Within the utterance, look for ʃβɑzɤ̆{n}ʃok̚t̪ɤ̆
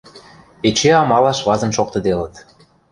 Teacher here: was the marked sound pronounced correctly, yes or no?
yes